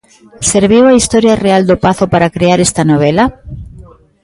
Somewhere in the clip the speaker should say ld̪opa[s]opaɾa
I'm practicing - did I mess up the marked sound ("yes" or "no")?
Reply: yes